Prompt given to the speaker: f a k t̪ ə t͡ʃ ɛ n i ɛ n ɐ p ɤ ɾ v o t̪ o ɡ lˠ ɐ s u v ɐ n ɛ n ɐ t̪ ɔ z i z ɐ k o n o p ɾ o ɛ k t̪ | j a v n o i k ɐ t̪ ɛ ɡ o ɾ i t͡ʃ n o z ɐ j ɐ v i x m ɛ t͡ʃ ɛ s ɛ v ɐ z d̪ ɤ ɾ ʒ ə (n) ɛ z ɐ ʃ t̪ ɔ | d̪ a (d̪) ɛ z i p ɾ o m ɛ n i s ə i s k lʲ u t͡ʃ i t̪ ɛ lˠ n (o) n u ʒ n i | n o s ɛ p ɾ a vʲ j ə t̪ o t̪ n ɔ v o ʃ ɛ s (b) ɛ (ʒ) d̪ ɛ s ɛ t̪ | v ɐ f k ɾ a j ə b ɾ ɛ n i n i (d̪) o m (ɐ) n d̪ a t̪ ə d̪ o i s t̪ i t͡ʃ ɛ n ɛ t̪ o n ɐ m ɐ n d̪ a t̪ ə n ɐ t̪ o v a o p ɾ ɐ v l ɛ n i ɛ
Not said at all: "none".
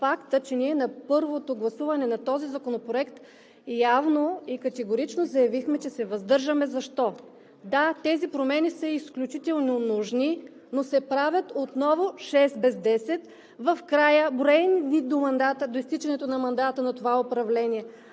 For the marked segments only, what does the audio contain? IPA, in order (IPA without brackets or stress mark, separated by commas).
m, t̪, o, b, z, d̪, ɐ